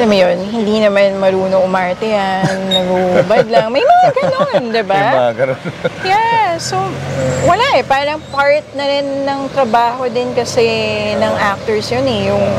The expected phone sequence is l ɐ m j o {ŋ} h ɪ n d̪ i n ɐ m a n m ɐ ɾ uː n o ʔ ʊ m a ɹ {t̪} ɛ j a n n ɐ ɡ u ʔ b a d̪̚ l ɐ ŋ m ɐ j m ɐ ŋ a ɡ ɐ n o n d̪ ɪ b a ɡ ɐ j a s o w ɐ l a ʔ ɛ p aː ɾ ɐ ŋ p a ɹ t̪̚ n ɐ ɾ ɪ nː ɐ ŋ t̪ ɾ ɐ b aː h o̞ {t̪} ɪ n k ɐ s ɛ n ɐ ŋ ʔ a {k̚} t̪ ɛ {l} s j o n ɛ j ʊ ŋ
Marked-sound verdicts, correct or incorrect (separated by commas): incorrect, correct, incorrect, correct, incorrect